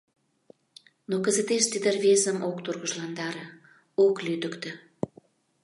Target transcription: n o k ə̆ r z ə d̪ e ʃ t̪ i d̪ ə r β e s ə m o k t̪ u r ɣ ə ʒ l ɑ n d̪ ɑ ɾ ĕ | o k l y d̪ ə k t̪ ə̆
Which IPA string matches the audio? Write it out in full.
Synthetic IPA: n o k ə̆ z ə t̪ e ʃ t̪ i d̪ ə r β e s ə m o k t̪ u r ɣ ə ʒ l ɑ n d̪ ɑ ɾ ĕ | o k l y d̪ ə k t̪ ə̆